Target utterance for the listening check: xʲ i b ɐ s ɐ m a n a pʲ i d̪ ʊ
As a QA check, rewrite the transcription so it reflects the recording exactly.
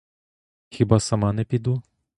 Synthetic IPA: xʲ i b a s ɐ m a n ɛ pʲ i d̪ u

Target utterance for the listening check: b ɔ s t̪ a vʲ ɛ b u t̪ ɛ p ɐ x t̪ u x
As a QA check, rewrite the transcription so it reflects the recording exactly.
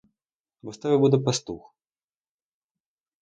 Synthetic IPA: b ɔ s t̪ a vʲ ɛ b u d̪ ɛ p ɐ s t̪ u x

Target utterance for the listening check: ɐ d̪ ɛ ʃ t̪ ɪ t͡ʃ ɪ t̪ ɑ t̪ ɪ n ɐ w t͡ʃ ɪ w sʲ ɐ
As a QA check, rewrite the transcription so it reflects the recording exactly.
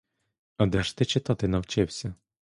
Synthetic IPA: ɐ d̪ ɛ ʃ t̪ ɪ t͡ʃ ɪ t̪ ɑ t̪ ɪ n ɐ w t͡ʃ ɪ w sʲ ɐ

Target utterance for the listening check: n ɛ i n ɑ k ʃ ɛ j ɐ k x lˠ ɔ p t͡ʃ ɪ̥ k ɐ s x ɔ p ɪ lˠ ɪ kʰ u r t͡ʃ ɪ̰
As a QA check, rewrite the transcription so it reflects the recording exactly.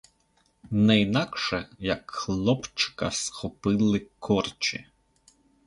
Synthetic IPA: n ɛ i n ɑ k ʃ ɛ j ɐ k x lˠ ɔ p t͡ʃ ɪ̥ k ɐ s x ɔ p ɪ lˠ ɪ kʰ ɔ r t͡ʃ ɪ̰

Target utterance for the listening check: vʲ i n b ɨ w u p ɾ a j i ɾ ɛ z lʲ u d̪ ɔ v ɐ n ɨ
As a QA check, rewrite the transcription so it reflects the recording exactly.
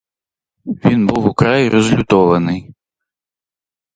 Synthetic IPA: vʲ i n b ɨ w u k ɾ a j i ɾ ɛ z lʲ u t̪ ɔ v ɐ n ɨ

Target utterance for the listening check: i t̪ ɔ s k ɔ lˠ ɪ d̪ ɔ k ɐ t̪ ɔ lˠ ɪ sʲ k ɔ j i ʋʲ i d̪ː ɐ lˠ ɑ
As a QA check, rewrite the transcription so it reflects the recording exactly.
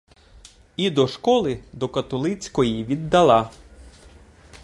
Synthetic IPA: i d̪ ɔ ʃ k ɔ lˠ ɪ d̪ ɔ k ɐ t̪ ɔ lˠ ɪ t͡sʲ k ɔ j i ʋʲ i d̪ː ɐ lˠ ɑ

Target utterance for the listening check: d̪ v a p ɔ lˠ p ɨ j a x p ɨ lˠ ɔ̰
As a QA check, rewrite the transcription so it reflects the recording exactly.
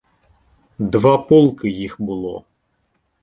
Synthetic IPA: d̪ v a p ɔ lˠ k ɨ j i x b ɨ lˠ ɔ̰

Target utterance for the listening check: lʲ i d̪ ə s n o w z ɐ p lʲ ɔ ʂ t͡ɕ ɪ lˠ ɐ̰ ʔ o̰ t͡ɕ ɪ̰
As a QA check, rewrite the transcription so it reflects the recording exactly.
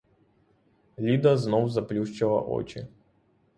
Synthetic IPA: lʲ i d̪ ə z n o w z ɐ p lʲ u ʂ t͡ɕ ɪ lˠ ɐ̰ ʔ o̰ t͡ɕ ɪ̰

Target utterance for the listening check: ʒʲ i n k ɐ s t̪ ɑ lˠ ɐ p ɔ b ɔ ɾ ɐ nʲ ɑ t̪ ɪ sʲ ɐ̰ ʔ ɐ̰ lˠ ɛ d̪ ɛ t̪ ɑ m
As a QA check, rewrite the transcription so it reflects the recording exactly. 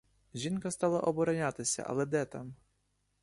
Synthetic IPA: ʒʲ i n k ɐ s t̪ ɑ lˠ ɐ ʔ ɔ b ɔ ɾ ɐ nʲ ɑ t̪ ɪ sʲ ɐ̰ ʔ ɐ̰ lˠ ɛ d̪ ɛ t̪ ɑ m

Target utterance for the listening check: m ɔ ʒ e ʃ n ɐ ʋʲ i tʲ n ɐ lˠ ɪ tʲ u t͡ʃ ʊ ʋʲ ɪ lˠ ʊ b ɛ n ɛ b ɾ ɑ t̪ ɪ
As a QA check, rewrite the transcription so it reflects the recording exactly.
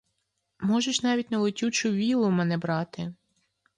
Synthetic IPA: m ɔ ʒ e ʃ n ɑ ʋʲ i tʲ n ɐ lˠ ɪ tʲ u t͡ʃ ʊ ʋʲ i lˠ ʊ m ɛ n ɛ b ɾ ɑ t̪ ɪ

